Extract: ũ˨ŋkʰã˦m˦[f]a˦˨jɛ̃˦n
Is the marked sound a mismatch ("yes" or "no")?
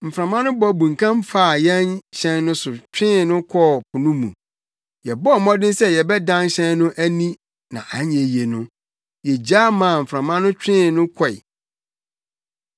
no